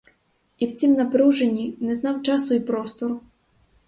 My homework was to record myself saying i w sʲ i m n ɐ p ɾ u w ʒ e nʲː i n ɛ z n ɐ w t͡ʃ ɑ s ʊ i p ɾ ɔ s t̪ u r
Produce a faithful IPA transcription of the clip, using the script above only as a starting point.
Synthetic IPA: i w t͡sʲ i m n ɐ p ɾ u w ʒ e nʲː i n ɛ z n ɑ w t͡ʃ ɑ s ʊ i p ɾ ɔ s t̪ ɔ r

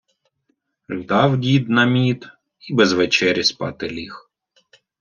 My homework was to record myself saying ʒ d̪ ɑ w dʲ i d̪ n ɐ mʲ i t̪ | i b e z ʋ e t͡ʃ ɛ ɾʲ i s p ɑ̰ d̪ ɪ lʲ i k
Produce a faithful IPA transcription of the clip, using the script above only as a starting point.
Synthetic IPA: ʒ d̪ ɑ w dʲ i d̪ n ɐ mʲ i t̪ | i b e z ʋ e t͡ʃ ɛ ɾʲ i s p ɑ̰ t̪ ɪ lʲ i x

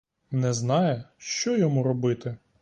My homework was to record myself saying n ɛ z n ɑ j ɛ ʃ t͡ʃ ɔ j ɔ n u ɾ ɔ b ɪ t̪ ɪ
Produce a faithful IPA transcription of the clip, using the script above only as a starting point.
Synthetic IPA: n ɛ z n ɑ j ɛ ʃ t͡ʃ ɔ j ɔ m u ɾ ɔ b ɪ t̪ ɪ

